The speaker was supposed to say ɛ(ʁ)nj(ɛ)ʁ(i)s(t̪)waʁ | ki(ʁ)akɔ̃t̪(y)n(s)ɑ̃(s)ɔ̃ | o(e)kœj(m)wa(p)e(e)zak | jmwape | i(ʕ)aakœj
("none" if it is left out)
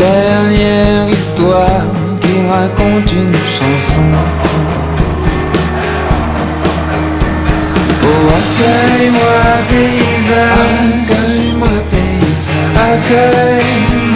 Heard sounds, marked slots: ʁ, ɛ, i, t̪, ʁ, y, ʃ, s, a, m, p, i, z

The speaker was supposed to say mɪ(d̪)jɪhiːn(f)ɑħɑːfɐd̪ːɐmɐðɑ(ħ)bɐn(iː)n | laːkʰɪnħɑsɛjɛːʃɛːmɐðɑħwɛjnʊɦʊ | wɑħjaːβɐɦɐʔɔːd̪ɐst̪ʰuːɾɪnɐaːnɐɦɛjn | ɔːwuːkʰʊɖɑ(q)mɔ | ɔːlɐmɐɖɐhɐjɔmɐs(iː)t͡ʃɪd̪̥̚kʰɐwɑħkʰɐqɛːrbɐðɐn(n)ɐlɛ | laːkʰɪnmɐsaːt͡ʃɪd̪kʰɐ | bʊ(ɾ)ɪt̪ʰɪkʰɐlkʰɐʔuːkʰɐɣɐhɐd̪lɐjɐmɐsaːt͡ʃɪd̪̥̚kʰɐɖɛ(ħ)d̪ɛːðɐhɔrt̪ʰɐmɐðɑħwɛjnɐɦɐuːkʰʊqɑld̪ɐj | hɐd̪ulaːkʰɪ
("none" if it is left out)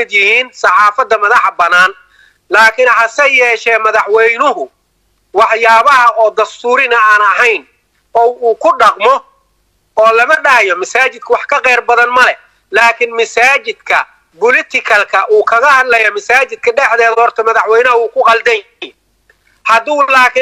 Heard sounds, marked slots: d̪, s, ħ, aː, q, aː, m, l, ħ

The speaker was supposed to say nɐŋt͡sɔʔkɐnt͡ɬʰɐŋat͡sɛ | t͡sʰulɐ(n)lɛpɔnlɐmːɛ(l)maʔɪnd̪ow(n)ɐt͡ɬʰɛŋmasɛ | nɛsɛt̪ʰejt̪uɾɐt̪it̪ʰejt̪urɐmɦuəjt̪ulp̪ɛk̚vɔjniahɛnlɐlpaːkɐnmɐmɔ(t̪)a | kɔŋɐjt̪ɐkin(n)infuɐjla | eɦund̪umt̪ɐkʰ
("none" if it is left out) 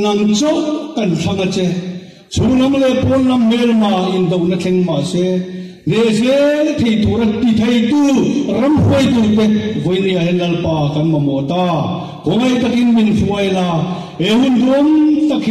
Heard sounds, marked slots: m, l, n, t̪, m

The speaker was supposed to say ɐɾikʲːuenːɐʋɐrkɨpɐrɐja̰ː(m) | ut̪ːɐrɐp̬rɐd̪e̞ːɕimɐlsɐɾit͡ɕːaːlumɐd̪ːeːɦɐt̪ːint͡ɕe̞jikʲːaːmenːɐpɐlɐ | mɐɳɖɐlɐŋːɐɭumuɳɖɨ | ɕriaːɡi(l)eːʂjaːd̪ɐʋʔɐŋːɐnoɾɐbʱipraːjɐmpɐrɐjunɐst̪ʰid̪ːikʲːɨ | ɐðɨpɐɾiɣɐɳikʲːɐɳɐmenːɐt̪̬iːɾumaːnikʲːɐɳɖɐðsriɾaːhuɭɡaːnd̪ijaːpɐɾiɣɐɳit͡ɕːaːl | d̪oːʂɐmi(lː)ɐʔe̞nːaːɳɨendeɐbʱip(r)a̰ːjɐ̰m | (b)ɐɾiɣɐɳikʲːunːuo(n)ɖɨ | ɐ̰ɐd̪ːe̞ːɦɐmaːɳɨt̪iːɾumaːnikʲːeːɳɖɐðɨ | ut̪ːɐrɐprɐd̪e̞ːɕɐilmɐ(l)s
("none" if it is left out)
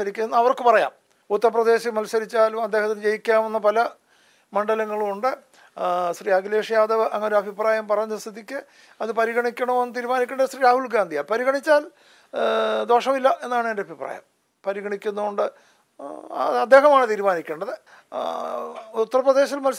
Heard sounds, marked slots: m, l, lː, r, p, ɳ, l

